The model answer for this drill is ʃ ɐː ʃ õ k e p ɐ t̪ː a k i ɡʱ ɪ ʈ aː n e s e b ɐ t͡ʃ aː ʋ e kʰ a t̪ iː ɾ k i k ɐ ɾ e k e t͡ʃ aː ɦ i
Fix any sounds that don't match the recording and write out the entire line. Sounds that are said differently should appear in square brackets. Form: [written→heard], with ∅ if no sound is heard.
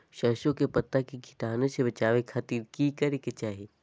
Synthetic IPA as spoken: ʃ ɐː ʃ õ k e p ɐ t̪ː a k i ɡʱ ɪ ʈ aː n e s e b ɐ t͡ʃ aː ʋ e kʰ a t̪ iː ɾ k i k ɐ ɾ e k e t͡ʃ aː ɦ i